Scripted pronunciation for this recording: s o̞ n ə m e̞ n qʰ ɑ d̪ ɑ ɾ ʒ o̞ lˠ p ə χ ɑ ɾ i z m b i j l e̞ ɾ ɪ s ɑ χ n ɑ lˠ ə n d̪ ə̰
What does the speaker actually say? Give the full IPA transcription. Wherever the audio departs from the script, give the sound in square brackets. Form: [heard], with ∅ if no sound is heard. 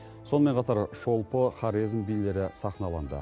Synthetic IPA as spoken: s o̞ n ə m e̞ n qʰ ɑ [t̪] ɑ ɾ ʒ o̞ lˠ p ə χ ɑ ɾ i z m b i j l e̞ ɾ ɪ s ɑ χ n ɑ lˠ [ɑ] n d̪ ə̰

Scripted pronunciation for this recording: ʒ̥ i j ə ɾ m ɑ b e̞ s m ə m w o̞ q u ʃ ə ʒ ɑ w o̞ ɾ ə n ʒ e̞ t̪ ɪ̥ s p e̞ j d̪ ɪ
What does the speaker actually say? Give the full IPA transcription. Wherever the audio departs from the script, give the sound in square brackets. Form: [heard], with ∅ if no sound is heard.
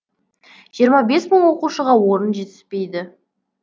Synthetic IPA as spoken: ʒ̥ i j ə ɾ m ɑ b e̞ s m ə [ɴ] w o̞ q u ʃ ə [ʁ] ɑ w o̞ ɾ ə n ʒ e̞ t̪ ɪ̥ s p e̞ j d̪ ɪ

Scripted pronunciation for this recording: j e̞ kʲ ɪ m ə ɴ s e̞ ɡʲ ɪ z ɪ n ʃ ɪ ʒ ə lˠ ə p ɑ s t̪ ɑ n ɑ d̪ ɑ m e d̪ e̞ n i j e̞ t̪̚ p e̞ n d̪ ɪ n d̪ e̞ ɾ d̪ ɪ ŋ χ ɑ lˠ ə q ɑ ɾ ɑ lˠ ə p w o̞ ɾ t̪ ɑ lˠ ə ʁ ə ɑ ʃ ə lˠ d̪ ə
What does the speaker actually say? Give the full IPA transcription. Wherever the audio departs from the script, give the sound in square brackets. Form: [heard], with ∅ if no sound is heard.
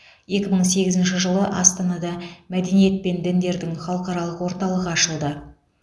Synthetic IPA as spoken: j e̞ kʲ ɪ m ə ɴ s e̞ ɡʲ ɪ z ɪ n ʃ ɪ ʒ ə lˠ ə [ʔ] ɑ s t̪ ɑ n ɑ d̪ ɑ m [æ] d̪ e̞ n i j e̞ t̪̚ p e̞ n d̪ ɪ n d̪ e̞ ɾ d̪ ɪ ŋ χ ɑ lˠ ə q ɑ ɾ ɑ lˠ ə [q] w o̞ ɾ t̪ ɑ lˠ ə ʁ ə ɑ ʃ ə lˠ d̪ ə

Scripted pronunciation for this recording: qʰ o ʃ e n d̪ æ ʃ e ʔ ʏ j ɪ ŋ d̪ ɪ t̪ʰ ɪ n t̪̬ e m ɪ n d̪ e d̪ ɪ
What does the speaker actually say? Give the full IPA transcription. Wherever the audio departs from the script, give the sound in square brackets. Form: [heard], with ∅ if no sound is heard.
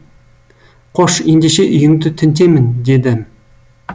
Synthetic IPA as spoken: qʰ o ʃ e n d̪ [e] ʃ e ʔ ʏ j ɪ ŋ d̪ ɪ t̪ʰ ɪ n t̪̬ e m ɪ n d̪ e d̪ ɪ

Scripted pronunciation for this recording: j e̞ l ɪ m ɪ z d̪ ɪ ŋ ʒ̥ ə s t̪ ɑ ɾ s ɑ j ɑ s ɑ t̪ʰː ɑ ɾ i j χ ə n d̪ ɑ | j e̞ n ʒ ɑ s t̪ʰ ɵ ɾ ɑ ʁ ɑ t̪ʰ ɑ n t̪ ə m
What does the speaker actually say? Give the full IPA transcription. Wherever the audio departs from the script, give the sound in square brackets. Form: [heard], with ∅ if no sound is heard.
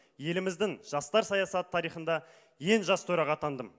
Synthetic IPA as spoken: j e̞ l ɪ m ɪ z d̪ ɪ ŋ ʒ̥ [ɑ] s t̪ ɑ ɾ s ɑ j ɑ s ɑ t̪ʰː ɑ ɾ i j χ ə n d̪ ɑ | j e̞ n ʒ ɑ s t̪ʰ ɵ ɾ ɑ ʁ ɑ t̪ʰ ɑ n [d̪] ə m

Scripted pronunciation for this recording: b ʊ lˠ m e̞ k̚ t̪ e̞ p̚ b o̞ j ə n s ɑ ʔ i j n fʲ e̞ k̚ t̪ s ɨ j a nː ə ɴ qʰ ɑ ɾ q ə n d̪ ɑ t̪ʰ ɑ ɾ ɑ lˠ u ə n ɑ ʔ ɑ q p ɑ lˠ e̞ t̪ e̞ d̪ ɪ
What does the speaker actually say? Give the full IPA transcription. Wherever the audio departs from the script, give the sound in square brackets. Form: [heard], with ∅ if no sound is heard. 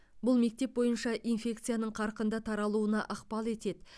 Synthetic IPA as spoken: b ʊ lˠ m e̞ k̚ t̪ e̞ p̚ b o̞ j ə n [ʃ] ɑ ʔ i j n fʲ e̞ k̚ t̪ s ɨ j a [n] ə ɴ qʰ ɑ ɾ q ə n d̪ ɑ t̪ʰ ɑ ɾ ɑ lˠ u ə n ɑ ʔ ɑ q p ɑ lˠ e̞ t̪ e̞ d̪ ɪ

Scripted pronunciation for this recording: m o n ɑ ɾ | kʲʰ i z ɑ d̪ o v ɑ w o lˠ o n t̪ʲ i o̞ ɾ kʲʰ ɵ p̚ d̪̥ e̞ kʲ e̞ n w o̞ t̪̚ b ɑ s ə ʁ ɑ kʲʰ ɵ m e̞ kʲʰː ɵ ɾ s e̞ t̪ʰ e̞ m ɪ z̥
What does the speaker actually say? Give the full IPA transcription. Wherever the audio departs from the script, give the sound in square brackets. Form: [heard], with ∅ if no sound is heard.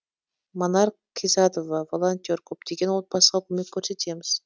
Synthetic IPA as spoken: m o n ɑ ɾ | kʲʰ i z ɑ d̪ o v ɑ [v] o lˠ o n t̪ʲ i o̞ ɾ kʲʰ ɵ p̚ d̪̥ e̞ [ɡʲ] e̞ n w o̞ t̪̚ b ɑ s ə ʁ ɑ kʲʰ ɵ m e̞ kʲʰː ɵ ɾ s e̞ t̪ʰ e̞ m ɪ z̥

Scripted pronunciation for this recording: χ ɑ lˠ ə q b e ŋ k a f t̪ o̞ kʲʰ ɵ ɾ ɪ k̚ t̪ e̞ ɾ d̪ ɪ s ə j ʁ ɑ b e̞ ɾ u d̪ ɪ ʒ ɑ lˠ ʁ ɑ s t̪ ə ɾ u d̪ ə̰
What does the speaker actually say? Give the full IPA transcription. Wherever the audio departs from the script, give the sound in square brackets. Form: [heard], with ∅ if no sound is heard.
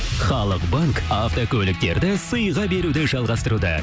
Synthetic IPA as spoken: χ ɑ lˠ ə q b [a] ŋ k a f t̪ o̞ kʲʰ ɵ [l] ɪ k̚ t̪ e̞ ɾ d̪ ɪ s ə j ʁ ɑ b e̞ ɾ u d̪ ɪ ʒ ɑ lˠ ʁ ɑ s t̪ ə ɾ u d̪ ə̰

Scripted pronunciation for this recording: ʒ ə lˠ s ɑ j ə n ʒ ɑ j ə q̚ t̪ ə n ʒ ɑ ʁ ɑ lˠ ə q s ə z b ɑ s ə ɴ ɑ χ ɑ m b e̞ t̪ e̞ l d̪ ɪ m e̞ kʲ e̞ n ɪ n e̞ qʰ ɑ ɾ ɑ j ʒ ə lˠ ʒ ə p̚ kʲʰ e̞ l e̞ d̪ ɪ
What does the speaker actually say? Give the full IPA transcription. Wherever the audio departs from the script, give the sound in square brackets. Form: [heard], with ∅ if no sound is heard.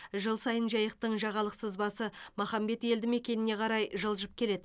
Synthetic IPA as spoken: ʒ ə lˠ s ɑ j ə n ʒ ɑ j ə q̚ t̪ ə [ɴ] ʒ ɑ ʁ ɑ lˠ ə q s ə z b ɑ s ə [m] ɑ χ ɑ m b e̞ t̪ e̞ l d̪ ɪ m e̞ kʲ e̞ n ɪ n e̞ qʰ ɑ ɾ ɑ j ʒ ə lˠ ʒ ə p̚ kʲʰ e̞ l e̞ d̪ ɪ

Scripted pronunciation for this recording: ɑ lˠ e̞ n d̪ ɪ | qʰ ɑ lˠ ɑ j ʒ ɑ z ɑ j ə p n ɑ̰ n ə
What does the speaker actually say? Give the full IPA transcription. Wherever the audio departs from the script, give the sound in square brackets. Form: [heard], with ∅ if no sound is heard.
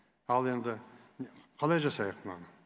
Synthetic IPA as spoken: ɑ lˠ e̞ n d̪ ɪ | qʰ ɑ lˠ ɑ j ʒ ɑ [s] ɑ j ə [q] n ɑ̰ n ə

